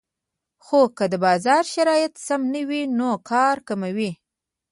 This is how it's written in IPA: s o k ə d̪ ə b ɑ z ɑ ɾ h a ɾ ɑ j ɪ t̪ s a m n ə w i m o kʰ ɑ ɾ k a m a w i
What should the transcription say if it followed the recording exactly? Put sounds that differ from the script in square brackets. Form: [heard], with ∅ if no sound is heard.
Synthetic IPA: [x] o k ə d̪ ə b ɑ z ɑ ɾ [ʃ] a ɾ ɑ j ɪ t̪ s a m n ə w i [n] o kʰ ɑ ɾ k a m a w i